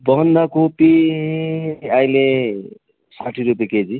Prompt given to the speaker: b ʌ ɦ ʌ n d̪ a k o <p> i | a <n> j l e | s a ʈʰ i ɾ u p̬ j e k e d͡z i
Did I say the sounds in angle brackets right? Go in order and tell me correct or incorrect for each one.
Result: correct, incorrect: none

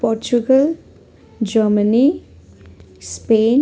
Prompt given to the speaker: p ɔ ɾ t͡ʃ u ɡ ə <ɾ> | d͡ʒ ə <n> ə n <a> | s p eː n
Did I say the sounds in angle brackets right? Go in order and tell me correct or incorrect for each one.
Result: incorrect: l, incorrect: m, incorrect: i

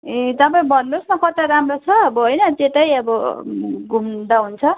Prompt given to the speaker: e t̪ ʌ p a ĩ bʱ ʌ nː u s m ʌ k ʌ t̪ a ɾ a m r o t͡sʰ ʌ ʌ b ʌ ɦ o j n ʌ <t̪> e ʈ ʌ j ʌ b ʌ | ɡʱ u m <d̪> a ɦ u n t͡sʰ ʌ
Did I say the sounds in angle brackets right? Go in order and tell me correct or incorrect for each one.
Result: correct, correct

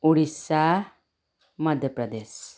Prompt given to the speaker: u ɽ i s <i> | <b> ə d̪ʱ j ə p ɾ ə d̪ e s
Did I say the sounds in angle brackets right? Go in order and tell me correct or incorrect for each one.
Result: incorrect: a, incorrect: m

